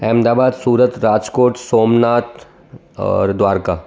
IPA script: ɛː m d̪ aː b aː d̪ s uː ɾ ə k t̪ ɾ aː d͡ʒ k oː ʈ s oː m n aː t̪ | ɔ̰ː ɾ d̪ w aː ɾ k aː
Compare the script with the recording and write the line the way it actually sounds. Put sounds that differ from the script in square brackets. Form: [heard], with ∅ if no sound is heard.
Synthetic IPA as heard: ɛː m d̪ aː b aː d̪ s uː ɾ ə [∅] t̪ ɾ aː d͡ʒ k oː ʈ s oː m n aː t̪ | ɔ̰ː ɾ d̪ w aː ɾ k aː

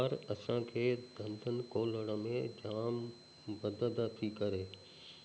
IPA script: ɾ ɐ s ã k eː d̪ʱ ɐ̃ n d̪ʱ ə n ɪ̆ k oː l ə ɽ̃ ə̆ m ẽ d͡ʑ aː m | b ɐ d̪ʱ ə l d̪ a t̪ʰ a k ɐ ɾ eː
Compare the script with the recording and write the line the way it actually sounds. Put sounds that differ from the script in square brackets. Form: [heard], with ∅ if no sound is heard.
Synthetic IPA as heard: ɾ ɐ s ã [kʰ] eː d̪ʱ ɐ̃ n d̪ʱ ə n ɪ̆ k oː l ə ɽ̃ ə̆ m ẽ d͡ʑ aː m | b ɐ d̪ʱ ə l d̪ a t̪ʰ [i] k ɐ ɾ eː

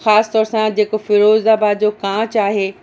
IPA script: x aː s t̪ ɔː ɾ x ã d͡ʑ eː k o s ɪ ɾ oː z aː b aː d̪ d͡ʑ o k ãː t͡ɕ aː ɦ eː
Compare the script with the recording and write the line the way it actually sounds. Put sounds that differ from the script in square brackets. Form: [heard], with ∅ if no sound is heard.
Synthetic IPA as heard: x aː s t̪ ɔː ɾ [s] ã d͡ʑ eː k o [f] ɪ ɾ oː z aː b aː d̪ d͡ʑ o k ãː t͡ɕ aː ɦ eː

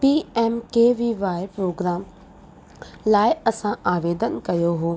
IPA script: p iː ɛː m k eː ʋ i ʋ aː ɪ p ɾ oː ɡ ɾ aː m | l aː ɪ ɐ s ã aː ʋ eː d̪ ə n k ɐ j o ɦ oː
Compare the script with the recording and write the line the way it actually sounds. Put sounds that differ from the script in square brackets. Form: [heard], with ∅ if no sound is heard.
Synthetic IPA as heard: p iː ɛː m k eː ʋ i ʋ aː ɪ p ɾ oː ɡ ɾ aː m | l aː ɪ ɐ s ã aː ʋ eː d̪ ə n k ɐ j o ɦ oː

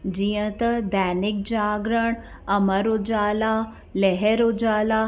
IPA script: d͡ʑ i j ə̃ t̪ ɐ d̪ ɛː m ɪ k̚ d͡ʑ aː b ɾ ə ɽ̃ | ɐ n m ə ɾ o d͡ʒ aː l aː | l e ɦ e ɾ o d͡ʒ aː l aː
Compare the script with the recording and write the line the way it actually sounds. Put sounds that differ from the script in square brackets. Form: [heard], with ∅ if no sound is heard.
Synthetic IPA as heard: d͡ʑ i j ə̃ t̪ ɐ d̪ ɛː [n] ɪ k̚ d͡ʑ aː [ɡ] ɾ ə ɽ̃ | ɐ [∅] m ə ɾ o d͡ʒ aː l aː | l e ɦ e ɾ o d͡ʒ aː l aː

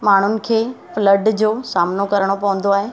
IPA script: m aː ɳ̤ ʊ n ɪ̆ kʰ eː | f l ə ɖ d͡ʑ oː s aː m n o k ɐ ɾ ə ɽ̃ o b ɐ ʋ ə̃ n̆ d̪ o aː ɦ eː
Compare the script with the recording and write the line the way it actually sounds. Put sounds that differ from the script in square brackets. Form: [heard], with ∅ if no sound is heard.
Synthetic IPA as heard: m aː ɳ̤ ʊ n ɪ̆ kʰ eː | f l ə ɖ d͡ʑ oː s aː m n o k ɐ ɾ ə ɽ̃ o [p] ɐ ʋ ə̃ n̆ d̪ o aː ɦ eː

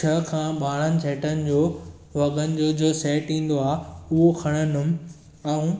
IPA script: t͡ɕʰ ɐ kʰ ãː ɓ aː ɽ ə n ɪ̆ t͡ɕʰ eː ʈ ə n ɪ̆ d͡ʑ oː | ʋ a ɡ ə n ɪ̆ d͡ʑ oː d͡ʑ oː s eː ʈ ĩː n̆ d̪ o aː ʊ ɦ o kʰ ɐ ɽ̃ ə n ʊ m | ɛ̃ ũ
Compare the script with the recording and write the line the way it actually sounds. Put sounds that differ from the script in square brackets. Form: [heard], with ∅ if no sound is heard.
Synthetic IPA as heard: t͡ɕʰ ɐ kʰ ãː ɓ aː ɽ ə n ɪ̆ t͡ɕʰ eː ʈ ə n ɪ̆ d͡ʑ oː | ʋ [ɐ] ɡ ə n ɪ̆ d͡ʑ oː d͡ʑ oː s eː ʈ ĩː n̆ d̪ o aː ʊ ɦ o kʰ ɐ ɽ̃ ə n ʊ m | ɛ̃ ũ

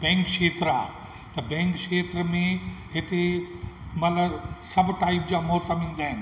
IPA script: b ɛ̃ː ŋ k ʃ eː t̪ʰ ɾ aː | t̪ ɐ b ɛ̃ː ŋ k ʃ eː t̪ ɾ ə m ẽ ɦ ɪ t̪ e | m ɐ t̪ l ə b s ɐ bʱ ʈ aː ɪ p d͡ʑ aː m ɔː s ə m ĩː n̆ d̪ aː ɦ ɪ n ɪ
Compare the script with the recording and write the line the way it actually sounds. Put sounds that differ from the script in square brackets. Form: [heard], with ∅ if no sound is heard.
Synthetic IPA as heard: b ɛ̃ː ŋ k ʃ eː [t̪] ɾ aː | t̪ ɐ b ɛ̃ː ŋ k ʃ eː t̪ ɾ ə m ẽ ɦ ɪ t̪ e | m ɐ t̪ l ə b s ɐ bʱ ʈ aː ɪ p d͡ʑ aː m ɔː s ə m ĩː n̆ d̪ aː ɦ ɪ n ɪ

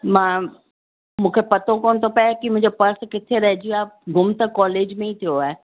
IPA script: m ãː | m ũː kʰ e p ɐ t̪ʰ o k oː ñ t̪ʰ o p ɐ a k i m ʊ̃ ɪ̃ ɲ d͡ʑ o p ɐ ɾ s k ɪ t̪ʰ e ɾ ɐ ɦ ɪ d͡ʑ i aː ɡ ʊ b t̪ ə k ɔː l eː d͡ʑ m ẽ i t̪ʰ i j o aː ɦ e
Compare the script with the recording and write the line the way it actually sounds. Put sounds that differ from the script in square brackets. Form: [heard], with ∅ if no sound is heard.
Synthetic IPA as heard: m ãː | m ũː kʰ e p ɐ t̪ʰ o k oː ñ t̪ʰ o p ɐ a k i m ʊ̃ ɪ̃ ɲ d͡ʑ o p ɐ ɾ s k ɪ t̪ʰ e ɾ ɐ ɦ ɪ d͡ʑ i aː ɡ ʊ [m] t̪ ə k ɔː l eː d͡ʑ m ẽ i t̪ʰ i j o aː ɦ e

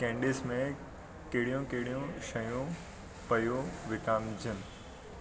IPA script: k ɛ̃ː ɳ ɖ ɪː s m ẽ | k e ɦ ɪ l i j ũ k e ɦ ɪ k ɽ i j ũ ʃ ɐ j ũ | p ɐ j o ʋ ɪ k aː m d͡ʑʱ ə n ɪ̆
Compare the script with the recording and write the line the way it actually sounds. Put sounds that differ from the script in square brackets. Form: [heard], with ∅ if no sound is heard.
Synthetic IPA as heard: k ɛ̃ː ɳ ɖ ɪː s m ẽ | k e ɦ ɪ [ɽ] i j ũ k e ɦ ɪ [∅] ɽ i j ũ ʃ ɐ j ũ | p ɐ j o ʋ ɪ k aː m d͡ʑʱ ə n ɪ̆

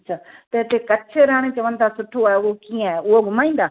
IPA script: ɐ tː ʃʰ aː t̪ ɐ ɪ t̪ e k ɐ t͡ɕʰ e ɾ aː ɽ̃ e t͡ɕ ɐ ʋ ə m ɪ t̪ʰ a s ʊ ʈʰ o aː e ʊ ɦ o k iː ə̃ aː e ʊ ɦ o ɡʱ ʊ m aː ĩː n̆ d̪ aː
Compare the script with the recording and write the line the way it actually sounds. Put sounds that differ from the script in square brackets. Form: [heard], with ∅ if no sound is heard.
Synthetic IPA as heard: ɐ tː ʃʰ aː t̪ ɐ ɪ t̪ e k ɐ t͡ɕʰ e ɾ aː ɽ̃ e t͡ɕ ɐ ʋ ə [n] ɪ t̪ʰ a s ʊ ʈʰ o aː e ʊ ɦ o k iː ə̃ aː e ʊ ɦ o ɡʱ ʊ m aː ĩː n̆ d̪ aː

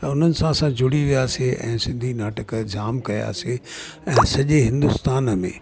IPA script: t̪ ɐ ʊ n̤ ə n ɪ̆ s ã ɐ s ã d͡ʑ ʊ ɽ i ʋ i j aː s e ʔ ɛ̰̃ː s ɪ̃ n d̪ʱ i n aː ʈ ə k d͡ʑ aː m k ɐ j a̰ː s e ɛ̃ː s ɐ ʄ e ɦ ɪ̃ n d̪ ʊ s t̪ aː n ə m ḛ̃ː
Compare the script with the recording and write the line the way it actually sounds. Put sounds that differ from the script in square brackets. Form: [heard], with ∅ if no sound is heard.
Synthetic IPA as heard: t̪ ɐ ʊ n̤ ə n ɪ̆ s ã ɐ s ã d͡ʑ ʊ ɽ i ʋ i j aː s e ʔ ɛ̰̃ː s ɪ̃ n d̪ʱ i n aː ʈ ə k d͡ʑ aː m k ɐ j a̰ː s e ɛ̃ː s ɐ ʄ e ɦ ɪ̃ n d̪ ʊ s t̪ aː n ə m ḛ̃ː

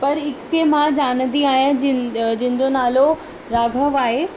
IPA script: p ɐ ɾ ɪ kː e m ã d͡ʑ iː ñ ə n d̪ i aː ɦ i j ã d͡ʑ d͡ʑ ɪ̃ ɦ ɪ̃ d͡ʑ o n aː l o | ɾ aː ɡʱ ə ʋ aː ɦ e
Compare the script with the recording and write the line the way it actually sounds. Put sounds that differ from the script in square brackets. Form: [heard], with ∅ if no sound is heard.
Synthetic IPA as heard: p ɐ ɾ ɪ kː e m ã d͡ʑ [aː] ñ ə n d̪ i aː ɦ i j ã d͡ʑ d͡ʑ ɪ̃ ɦ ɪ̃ d͡ʑ o n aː l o | ɾ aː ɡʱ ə ʋ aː ɦ e

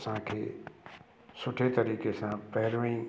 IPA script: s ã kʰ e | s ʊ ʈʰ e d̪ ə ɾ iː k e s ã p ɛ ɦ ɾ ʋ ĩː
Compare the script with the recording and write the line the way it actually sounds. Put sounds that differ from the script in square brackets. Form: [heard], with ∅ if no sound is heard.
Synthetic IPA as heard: s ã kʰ e | s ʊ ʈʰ e [t̪] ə ɾ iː k e s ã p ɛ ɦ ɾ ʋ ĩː

